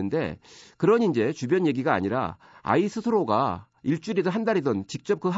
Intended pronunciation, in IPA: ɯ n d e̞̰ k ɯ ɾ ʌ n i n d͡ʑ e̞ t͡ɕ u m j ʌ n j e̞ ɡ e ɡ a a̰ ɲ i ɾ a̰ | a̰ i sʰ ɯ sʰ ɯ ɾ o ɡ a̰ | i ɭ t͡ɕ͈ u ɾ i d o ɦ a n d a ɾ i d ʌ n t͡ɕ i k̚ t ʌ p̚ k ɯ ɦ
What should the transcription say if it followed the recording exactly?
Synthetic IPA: ɯ n d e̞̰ k ɯ ɾ ʌ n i n d͡ʑ e̞ t͡ɕ u b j ʌ n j e̞ ɡ i ɡ a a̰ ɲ i ɾ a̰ | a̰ i sʰ ɯ sʰ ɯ ɾ o ɡ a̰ | i ɭ t͡ɕ͈ u ɾ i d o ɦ a n d a ɾ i d ʌ n t͡ɕ i k̚ t͡ɕ͈ ʌ p̚ k ɯ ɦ